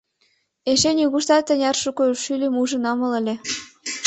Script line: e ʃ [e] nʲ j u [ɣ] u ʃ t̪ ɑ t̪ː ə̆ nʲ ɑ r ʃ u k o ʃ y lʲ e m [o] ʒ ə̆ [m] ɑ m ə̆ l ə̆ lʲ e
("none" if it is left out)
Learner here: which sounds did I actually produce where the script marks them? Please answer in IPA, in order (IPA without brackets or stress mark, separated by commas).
e, ɣ, u, n